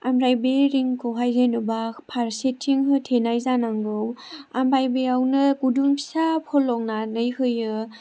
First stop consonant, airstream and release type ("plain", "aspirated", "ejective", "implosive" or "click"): plain